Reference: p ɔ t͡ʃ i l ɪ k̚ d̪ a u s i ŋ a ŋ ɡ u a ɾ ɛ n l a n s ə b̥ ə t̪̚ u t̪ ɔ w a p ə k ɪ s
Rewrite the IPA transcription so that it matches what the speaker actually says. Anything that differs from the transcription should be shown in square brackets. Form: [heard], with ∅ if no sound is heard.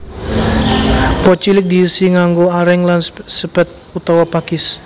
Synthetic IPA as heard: p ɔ t͡ʃ i l ɪ k̚ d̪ [i] u s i ŋ a ŋ ɡ [o] a ɾ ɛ [ŋ] l a n s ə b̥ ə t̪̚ u t̪ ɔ w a p [a] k ɪ s